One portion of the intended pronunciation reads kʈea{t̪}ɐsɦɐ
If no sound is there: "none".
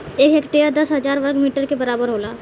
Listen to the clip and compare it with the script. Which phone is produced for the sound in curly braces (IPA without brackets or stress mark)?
d̪